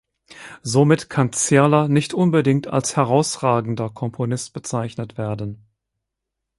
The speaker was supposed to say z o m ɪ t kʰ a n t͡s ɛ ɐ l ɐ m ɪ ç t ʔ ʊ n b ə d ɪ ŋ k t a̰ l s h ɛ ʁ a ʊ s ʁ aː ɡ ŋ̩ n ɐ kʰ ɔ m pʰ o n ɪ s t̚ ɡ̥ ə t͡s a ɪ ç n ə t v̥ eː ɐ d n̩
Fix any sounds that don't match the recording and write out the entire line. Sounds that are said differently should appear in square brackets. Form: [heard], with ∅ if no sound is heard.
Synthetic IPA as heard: z o m ɪ t kʰ a n t͡s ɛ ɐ l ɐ [n] ɪ ç t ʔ ʊ n b ə d ɪ ŋ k t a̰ l s h ɛ ʁ a ʊ s ʁ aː ɡ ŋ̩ [d] ɐ kʰ ɔ m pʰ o n ɪ s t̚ [b̥] ə t͡s a ɪ ç n ə t v̥ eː ɐ d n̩